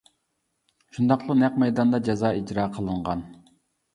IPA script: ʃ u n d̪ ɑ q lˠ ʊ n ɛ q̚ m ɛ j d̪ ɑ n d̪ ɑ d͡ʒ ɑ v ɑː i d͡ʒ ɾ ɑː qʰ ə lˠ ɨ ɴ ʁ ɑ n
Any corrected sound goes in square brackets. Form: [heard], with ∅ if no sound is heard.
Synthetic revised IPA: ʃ u n d̪ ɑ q lˠ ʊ n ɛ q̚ m ɛ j d̪ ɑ n d̪ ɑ d͡ʒ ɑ [z] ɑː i d͡ʒ ɾ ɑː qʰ ə lˠ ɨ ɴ ʁ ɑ n